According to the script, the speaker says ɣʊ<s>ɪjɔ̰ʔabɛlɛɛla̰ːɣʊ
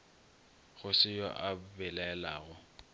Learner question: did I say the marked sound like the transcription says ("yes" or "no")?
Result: yes